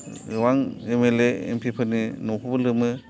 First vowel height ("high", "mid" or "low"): low